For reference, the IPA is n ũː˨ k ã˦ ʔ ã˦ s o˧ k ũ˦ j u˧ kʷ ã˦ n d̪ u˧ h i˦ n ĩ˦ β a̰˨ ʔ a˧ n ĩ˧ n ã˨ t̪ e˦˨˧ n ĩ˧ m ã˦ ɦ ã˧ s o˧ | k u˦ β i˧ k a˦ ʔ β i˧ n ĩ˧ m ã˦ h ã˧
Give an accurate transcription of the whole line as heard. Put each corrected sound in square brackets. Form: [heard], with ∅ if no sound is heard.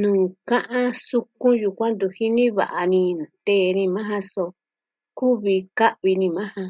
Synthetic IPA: n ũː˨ k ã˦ ʔ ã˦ s [u˧] k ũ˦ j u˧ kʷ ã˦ n d̪ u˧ h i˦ n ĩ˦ β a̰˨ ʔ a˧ n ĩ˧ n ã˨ t̪ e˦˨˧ n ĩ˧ m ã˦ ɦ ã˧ s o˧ | k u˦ β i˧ k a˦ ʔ β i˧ n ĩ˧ m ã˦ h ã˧

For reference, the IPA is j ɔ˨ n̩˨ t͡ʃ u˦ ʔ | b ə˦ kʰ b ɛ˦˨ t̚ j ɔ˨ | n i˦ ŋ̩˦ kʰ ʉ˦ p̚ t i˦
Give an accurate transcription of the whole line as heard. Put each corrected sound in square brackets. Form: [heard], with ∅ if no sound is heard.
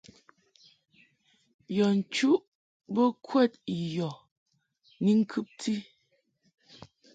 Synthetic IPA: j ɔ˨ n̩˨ t͡ʃ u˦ ʔ | b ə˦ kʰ [w] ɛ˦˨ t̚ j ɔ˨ | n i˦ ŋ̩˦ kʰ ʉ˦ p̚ t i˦

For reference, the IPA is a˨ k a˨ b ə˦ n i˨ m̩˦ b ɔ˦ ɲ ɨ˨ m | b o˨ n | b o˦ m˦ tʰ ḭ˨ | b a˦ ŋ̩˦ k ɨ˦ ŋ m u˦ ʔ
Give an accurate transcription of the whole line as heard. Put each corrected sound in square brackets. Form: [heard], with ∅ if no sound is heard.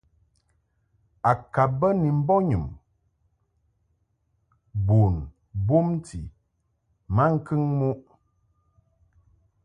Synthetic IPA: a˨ k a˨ b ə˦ n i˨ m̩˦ b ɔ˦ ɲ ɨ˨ m | b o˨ n | b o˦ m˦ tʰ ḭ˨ | [m] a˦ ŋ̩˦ k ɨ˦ ŋ m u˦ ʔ

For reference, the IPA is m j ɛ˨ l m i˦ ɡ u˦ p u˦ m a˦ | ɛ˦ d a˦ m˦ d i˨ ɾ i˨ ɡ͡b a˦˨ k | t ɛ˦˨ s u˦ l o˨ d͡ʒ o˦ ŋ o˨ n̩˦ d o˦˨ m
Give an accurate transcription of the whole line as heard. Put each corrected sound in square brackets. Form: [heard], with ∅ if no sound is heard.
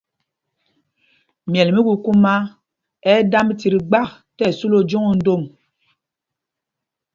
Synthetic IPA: m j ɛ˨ l m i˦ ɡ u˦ [k] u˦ m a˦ | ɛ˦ d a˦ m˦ [t] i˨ ɾ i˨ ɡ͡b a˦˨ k | t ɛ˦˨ s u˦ l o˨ d͡ʒ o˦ ŋ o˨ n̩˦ d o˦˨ m

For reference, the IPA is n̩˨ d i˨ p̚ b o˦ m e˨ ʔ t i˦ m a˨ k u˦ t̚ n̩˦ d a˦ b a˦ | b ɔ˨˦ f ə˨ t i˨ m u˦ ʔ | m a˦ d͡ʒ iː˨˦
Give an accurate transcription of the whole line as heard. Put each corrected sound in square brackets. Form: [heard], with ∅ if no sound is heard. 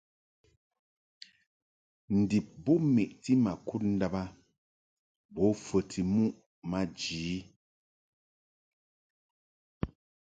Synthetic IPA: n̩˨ d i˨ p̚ b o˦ m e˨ ʔ t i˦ m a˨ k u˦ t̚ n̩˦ d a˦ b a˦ | b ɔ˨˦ f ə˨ t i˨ m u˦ ʔ | m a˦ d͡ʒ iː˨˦

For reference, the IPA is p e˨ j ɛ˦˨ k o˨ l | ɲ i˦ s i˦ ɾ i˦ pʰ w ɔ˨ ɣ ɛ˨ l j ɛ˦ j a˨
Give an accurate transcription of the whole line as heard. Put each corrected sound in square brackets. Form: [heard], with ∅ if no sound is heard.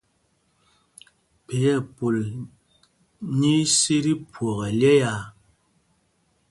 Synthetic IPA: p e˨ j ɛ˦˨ [p] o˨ l | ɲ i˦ s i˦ ɾ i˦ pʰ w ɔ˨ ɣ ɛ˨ l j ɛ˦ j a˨

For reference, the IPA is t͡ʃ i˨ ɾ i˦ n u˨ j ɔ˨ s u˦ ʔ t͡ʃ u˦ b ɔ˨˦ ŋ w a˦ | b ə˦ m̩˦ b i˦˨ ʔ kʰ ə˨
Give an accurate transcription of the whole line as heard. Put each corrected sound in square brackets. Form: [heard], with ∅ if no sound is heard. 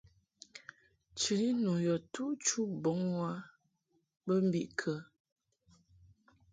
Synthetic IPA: t͡ʃ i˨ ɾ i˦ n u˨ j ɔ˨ [t] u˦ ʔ t͡ʃ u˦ b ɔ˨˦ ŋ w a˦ | b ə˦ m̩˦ b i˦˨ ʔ kʰ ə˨

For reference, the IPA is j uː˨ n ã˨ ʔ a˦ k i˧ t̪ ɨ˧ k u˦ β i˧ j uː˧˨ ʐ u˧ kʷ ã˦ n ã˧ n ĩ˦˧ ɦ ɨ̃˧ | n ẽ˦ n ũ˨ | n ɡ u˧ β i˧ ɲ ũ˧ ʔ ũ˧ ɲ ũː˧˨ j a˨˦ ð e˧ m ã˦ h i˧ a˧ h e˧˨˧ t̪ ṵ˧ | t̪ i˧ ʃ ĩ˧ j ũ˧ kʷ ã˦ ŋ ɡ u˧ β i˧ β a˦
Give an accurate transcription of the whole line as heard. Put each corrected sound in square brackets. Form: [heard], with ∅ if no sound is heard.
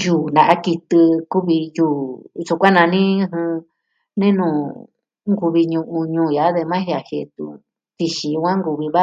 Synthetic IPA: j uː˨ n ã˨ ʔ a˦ k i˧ t̪ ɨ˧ k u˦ β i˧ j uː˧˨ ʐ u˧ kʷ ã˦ n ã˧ n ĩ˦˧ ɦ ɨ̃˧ | n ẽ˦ n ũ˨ | [ŋ] ɡ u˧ β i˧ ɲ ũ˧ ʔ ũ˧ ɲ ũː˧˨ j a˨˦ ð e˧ m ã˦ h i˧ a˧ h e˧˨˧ t̪ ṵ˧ | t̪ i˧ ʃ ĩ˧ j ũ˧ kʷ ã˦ ŋ ɡ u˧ β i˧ β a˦

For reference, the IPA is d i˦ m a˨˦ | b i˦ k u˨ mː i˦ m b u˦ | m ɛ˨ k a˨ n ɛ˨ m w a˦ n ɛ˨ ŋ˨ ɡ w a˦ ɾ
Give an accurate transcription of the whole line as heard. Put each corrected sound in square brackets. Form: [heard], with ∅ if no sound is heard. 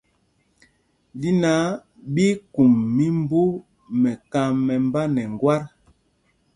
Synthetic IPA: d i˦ [n] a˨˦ | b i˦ k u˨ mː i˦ m b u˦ | m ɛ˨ k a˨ [m] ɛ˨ m [b] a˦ n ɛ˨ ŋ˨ ɡ w a˦ ɾ

